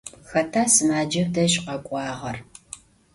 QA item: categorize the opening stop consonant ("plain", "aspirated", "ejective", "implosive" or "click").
aspirated